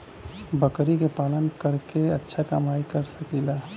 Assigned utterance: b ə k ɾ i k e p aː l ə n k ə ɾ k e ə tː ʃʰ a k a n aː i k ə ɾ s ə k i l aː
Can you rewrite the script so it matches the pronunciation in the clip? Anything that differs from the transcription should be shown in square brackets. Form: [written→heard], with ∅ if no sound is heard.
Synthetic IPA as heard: b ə k ɾ i k e p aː l ə n k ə ɾ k e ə tː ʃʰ a k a [n→m] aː i k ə ɾ s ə k i l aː